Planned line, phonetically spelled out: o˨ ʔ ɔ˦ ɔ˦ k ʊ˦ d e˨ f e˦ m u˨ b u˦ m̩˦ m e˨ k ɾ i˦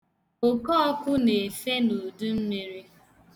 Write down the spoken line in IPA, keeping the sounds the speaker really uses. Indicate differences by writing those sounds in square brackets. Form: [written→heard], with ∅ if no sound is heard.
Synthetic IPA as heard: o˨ [ʔ→k] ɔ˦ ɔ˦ k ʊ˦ [d→n] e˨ f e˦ [m→n] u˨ [b→d] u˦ m̩˦ m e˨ [k→∅] ɾ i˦